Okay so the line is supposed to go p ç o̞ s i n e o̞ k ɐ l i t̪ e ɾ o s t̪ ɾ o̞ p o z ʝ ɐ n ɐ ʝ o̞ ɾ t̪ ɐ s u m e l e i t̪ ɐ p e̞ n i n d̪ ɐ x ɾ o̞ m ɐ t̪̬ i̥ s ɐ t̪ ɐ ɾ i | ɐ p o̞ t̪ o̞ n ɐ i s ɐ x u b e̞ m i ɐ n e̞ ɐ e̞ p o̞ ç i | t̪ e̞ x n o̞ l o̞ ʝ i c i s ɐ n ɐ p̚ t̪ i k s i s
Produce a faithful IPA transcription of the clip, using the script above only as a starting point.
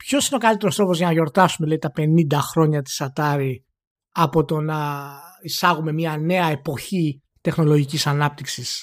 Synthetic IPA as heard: p ç o̞ s i n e o̞ k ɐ l i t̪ e ɾ o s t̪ ɾ o̞ p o z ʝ ɐ n ɐ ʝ o̞ ɾ t̪ ɐ s u m e l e i t̪ ɐ p e̞ n i n d̪ ɐ x ɾ o̞ ɲ ɐ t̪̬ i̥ s ɐ t̪ ɐ ɾ i | ɐ p o̞ t̪ o̞ n ɐ i s ɐ ɣ u m e̞ m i ɐ n e̞ ɐ e̞ p o̞ ç i | t̪ e̞ x n o̞ l o̞ ʝ i c i s ɐ n ɐ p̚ t̪ i k s i s